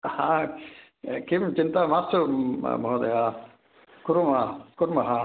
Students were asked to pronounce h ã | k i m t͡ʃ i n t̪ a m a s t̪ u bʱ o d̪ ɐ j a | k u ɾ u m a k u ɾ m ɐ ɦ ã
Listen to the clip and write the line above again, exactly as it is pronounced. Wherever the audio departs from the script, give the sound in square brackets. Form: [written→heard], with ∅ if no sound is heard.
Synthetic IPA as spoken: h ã | k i m t͡ʃ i n t̪ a m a s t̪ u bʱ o d̪ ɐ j a | k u ɾ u m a k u ɾ m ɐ ɦ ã